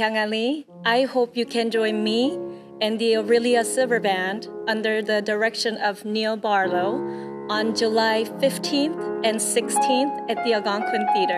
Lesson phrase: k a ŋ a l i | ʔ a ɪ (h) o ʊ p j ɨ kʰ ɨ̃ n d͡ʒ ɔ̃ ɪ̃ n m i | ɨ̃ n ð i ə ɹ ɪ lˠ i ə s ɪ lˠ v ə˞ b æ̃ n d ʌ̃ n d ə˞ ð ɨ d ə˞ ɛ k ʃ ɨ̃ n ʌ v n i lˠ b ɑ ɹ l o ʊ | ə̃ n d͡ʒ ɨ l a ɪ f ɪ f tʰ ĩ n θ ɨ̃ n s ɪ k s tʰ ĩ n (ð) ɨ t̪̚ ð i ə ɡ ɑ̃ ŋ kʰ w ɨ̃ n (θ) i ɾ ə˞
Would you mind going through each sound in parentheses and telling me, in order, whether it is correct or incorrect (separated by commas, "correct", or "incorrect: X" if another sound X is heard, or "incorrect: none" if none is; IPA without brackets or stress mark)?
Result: correct, incorrect: θ, correct